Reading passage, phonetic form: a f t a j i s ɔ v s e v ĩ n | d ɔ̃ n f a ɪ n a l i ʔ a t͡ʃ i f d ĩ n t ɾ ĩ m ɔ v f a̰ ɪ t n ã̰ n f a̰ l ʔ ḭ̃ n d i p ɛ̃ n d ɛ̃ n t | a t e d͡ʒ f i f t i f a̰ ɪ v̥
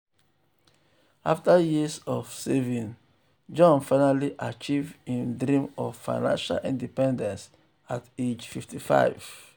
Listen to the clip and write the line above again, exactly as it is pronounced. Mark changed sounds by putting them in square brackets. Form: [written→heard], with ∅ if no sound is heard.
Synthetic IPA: a f t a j i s ɔ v s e v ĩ n | [d→d͡ʒ] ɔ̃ n f a ɪ n a l i ʔ a t͡ʃ i [f→v] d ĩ n [t→d] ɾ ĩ m ɔ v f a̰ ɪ [t→∅] n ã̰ n [f→ʃ] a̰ l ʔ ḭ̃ n d i p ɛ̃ n d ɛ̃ n [t→s] | a t e d͡ʒ f i f t i f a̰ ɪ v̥